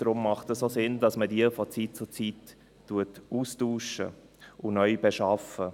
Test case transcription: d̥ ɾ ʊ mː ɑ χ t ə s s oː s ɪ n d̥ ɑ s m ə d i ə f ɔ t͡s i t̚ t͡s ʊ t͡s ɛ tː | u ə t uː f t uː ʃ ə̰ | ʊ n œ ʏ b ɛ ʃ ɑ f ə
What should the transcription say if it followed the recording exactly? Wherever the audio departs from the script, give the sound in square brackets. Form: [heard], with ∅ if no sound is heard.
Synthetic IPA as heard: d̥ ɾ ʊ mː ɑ χ t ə s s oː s ɪ n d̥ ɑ s m ə d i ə f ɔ t͡s i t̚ t͡s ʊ t͡s [i] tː | u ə t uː [s] t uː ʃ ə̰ | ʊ n œ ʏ b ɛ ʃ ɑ f ə